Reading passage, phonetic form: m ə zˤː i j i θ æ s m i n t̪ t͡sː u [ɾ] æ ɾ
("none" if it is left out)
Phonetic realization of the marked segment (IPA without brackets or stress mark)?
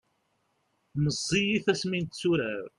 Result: ɾ